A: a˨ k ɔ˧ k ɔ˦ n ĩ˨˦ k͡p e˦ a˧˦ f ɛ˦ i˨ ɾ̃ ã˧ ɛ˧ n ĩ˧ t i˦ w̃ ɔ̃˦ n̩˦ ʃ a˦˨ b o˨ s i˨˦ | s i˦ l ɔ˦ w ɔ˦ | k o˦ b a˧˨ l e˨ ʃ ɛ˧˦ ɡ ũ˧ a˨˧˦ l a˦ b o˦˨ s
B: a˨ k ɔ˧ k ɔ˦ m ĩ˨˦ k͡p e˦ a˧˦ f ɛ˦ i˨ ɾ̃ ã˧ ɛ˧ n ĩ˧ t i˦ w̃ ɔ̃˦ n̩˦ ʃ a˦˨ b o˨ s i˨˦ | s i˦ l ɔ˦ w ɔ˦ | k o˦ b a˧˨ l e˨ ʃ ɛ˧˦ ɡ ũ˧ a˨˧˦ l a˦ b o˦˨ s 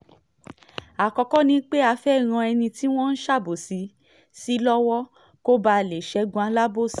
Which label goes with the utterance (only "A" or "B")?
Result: A